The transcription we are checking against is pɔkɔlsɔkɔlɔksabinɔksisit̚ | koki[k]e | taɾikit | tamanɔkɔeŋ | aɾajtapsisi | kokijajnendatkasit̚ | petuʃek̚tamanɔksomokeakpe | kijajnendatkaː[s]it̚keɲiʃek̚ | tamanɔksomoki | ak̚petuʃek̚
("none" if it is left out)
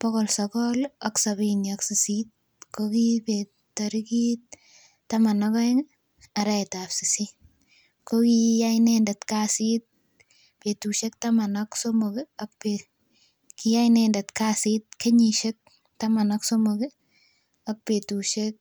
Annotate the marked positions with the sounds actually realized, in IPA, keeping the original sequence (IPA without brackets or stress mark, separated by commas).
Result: p, s